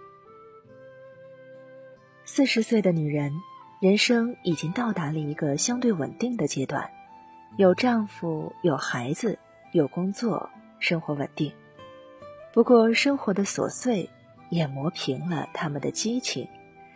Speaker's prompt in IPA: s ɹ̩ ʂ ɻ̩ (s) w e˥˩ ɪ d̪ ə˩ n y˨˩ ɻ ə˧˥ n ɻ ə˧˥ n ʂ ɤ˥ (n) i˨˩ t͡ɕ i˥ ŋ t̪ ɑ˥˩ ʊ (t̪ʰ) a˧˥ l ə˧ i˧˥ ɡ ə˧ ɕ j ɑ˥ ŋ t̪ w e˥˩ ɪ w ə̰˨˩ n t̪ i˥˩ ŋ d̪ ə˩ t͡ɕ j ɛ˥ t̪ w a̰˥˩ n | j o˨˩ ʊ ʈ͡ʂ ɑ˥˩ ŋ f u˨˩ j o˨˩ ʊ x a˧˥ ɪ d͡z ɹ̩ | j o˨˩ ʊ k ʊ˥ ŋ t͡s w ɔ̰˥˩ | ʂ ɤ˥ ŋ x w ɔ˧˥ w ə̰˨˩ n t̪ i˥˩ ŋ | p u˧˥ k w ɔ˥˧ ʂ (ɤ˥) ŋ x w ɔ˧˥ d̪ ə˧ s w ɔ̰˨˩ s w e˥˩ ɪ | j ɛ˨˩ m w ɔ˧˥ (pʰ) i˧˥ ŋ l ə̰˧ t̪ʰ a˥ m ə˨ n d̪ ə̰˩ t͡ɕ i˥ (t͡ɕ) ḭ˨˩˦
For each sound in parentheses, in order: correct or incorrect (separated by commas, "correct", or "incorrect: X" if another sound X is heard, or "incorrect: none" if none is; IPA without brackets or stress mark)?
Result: correct, incorrect: ŋ, incorrect: t̪, correct, correct, incorrect: t͡ɕʰ